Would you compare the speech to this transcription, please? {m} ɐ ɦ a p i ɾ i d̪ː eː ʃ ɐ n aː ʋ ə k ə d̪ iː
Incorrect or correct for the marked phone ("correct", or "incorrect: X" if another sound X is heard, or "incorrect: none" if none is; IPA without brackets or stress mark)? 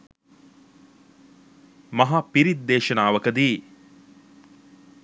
correct